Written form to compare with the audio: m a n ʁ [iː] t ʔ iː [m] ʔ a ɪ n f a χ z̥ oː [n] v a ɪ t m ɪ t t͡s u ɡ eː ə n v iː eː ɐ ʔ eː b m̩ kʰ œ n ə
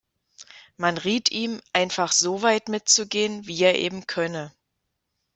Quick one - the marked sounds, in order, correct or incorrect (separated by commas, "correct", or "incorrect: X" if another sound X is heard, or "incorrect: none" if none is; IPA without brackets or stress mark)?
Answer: correct, correct, incorrect: none